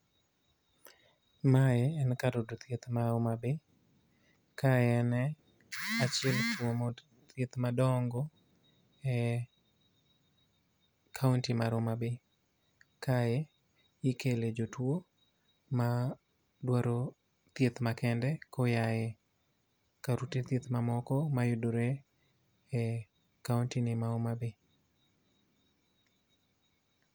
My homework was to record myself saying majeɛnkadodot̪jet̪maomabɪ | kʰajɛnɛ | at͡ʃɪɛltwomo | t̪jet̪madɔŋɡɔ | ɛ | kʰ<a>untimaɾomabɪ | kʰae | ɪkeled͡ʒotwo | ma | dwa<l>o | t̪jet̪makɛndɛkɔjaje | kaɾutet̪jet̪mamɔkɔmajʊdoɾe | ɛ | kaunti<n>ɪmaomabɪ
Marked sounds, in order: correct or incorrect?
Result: correct, incorrect: ɾ, correct

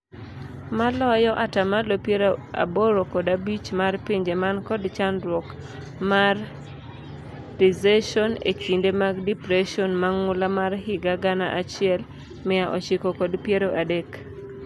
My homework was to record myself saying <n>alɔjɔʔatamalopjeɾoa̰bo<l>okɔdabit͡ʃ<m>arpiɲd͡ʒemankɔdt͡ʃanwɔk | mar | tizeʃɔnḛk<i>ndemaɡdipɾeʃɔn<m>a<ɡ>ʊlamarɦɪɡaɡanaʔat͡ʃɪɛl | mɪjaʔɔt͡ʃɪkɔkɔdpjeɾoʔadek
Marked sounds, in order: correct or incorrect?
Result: incorrect: m, incorrect: ɾ, correct, correct, correct, incorrect: ŋ

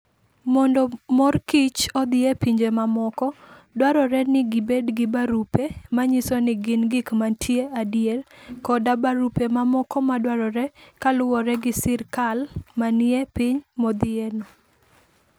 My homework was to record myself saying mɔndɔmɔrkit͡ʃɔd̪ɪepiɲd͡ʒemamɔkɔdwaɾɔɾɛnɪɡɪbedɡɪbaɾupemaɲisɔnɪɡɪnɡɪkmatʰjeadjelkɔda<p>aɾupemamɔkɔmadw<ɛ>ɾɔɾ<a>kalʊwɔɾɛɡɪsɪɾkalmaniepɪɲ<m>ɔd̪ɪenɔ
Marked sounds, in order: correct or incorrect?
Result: incorrect: b, incorrect: a, incorrect: ɛ, correct

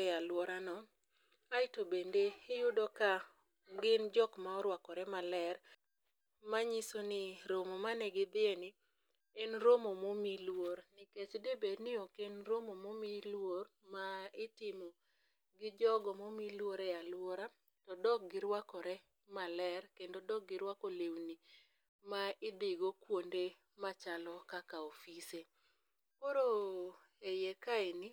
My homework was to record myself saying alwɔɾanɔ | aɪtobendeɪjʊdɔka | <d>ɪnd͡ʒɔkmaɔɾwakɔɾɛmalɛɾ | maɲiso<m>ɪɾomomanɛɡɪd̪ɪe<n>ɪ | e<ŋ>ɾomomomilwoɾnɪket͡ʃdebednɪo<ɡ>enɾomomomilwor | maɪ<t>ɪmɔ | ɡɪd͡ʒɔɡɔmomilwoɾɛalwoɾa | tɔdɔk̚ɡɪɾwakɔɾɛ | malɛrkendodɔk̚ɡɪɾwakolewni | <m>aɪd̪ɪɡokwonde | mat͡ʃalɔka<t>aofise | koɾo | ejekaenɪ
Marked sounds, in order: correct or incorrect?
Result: incorrect: ɡ, incorrect: n, correct, incorrect: n, incorrect: k, correct, correct, incorrect: k

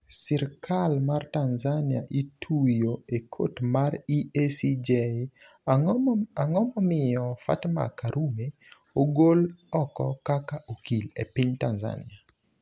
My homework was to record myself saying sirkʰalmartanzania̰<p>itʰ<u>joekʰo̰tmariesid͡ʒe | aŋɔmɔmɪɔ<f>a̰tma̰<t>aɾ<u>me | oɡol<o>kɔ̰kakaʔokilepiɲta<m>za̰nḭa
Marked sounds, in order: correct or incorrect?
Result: incorrect: ʔ, correct, correct, incorrect: k, correct, incorrect: ɔ, incorrect: n

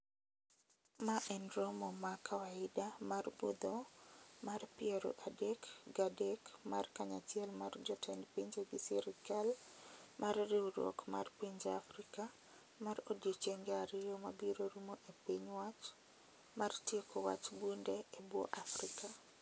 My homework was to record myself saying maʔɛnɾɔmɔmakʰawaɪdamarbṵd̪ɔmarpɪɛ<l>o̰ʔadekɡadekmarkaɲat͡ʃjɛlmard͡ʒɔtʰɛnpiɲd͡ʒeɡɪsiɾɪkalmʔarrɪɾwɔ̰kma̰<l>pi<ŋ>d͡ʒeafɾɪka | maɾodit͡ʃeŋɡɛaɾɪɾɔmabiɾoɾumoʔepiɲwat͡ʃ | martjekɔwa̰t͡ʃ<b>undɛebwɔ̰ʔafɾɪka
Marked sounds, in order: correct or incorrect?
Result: incorrect: ɾ, incorrect: r, incorrect: ɲ, correct

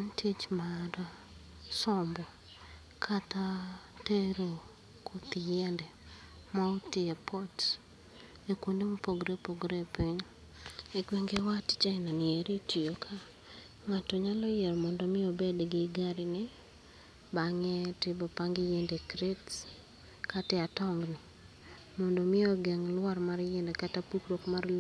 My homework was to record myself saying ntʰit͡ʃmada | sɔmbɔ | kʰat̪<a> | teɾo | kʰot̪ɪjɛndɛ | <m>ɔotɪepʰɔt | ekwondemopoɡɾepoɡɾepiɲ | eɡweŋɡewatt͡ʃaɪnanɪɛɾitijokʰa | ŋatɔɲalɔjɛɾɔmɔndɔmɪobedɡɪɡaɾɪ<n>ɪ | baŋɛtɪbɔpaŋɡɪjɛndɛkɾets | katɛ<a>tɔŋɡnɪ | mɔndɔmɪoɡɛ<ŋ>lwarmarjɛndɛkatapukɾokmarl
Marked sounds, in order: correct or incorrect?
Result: correct, correct, correct, correct, correct

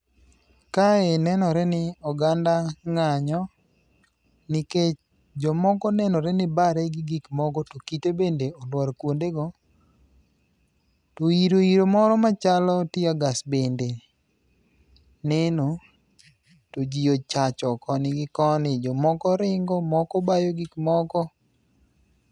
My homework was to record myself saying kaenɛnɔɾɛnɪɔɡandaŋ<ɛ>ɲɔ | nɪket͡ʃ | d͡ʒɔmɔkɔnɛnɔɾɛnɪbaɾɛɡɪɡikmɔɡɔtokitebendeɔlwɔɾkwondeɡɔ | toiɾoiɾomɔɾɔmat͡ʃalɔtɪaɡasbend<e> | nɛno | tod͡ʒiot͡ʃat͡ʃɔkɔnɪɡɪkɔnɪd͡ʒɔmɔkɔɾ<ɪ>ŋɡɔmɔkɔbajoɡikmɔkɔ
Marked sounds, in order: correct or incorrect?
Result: incorrect: a, correct, correct

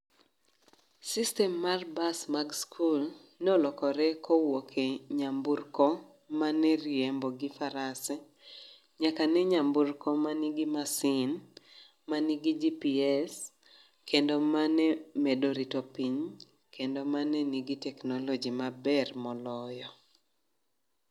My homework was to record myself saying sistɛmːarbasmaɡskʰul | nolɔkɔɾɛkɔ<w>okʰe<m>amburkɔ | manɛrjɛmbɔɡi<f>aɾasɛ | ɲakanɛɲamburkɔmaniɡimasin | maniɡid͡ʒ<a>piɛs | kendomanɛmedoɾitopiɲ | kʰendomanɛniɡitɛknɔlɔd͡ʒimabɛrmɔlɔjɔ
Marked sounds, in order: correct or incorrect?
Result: correct, incorrect: ɲ, correct, incorrect: i

